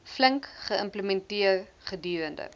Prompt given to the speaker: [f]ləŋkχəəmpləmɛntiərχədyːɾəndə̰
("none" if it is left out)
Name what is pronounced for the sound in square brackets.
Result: f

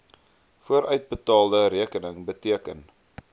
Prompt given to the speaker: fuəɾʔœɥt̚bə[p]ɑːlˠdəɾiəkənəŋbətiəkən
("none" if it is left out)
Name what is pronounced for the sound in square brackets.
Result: t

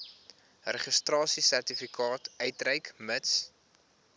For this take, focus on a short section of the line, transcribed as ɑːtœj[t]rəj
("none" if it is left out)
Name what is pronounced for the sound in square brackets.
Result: t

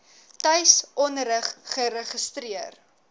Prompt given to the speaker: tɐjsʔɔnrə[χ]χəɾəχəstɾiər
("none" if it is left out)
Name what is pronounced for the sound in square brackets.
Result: χ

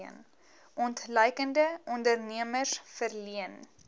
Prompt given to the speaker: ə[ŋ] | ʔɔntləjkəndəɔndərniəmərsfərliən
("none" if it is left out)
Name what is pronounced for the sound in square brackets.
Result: n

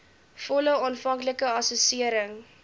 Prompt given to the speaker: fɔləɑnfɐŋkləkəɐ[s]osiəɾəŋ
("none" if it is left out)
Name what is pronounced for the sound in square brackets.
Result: s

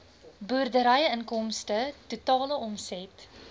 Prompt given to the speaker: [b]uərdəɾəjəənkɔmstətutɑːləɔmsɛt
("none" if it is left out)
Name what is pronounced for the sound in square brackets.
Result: b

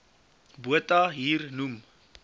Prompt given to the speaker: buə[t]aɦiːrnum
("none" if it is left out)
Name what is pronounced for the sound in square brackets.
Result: t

